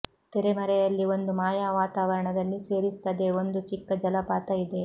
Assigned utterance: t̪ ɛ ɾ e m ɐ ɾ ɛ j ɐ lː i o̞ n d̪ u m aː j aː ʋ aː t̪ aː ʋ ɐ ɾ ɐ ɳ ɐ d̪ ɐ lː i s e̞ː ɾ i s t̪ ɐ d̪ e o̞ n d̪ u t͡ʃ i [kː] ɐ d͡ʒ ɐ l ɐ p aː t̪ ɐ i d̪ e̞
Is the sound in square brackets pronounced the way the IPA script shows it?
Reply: yes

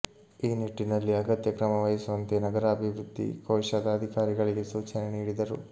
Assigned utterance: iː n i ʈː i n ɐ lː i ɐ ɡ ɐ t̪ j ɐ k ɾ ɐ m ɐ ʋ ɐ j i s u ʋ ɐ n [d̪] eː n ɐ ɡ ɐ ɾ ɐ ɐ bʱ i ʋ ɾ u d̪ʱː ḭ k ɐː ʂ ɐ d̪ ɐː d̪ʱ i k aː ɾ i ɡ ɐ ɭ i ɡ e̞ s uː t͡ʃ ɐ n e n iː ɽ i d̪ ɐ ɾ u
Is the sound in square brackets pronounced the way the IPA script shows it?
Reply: no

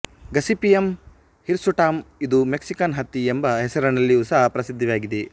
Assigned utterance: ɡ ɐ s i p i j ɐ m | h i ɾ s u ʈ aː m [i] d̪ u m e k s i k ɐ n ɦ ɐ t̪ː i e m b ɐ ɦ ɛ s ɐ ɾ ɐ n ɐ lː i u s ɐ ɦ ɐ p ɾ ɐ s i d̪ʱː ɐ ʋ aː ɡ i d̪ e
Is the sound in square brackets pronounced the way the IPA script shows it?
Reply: yes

